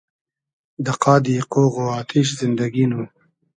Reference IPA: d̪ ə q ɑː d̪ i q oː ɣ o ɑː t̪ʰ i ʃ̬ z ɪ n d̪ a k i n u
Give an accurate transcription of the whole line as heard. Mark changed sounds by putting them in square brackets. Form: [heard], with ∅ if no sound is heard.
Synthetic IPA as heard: d̪ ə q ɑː d̪ i q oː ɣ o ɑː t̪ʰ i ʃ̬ z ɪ n d̪ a [ɡ] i n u